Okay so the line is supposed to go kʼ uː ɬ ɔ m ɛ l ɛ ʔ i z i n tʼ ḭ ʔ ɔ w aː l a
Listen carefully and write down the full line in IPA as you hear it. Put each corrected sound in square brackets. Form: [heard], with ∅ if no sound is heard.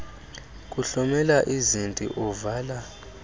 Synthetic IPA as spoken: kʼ [u] ɬ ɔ m ɛ l [a] ʔ i z i n tʼ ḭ ʔ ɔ [v] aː l a